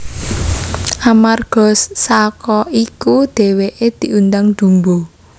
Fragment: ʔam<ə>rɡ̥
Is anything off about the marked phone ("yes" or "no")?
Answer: yes